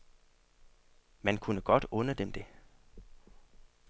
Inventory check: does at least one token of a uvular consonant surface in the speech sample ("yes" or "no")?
no